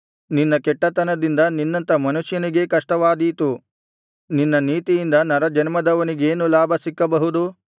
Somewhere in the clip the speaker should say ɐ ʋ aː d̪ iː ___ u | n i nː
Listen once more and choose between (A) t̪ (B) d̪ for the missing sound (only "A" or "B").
A